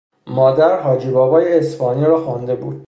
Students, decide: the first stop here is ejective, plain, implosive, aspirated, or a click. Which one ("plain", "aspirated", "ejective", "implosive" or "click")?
plain